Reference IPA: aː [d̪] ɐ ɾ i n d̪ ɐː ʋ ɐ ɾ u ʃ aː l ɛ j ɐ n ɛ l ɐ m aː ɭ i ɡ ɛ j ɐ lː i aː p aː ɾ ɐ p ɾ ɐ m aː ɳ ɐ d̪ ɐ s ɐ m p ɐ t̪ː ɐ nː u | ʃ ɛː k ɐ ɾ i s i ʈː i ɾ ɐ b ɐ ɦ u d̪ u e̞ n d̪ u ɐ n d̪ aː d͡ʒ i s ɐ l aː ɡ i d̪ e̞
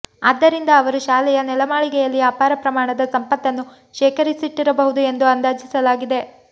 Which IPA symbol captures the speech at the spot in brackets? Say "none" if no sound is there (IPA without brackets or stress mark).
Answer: d̪ː